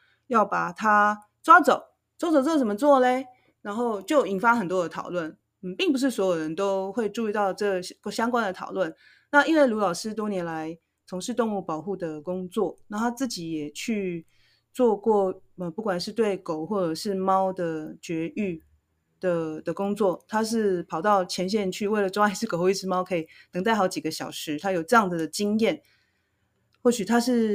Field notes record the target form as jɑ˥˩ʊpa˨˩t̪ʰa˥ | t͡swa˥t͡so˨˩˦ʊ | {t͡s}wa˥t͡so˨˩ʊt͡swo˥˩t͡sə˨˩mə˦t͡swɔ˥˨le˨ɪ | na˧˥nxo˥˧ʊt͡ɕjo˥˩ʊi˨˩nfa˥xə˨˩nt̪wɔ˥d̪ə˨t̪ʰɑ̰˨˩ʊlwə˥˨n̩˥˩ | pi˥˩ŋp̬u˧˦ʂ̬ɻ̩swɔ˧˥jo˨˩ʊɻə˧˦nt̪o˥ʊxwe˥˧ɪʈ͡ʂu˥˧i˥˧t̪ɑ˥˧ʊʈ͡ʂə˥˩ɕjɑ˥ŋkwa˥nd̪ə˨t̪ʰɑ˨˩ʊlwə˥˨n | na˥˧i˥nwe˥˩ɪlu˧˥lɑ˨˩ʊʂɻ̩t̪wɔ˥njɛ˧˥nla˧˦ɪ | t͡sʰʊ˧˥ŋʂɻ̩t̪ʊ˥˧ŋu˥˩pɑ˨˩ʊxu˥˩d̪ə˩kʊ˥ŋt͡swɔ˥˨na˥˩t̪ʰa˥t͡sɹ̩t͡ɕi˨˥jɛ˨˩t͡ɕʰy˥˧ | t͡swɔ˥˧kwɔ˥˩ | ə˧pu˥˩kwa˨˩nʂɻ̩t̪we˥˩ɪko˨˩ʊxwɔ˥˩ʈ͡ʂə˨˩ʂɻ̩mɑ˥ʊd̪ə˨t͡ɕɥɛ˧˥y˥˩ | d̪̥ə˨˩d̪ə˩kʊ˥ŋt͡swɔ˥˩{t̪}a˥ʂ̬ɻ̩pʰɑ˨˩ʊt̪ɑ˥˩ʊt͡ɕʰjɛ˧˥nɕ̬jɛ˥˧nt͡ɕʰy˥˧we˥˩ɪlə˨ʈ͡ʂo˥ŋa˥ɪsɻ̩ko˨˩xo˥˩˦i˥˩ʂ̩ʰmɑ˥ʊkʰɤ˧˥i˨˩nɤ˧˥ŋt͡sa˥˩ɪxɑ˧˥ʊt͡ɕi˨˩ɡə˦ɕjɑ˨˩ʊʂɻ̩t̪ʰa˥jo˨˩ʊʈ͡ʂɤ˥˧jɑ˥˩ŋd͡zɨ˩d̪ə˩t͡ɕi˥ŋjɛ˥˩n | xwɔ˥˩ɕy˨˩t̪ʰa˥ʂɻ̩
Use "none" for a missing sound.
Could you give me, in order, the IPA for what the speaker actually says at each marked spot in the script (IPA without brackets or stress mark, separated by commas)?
t͡s, t̪ʰ